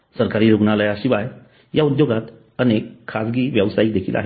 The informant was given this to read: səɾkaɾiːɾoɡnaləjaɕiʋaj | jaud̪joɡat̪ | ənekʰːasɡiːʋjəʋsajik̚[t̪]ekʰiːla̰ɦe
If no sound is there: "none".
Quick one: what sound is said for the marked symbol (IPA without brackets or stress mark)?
d̪